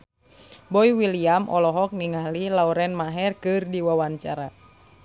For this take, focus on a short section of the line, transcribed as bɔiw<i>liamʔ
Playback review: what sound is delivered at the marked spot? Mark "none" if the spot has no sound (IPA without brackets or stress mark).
i